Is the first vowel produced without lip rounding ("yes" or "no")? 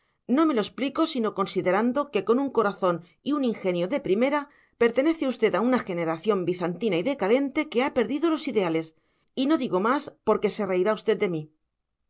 no